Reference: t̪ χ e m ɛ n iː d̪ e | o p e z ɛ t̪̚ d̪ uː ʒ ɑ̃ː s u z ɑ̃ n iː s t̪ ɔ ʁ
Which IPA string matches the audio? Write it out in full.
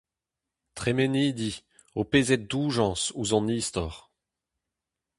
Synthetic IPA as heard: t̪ χ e m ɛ n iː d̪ i | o p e z ɛ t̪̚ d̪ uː ʒ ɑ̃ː s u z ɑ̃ n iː s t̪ ɔ ʁ